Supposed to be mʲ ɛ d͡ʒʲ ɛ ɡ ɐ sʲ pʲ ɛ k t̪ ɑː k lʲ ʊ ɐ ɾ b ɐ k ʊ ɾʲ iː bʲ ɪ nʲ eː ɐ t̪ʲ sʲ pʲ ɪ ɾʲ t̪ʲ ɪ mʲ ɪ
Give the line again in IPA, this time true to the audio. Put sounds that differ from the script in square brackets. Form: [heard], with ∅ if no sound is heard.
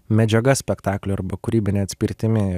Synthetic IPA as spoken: mʲ ɛ d͡ʒʲ ɛ ɡ ɐ sʲ pʲ ɛ k t̪ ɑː k lʲ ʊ ɐ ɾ b ɐ k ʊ ɾʲ iː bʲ ɪ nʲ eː ɐ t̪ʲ sʲ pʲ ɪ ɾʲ t̪ʲ ɪ mʲ ɪ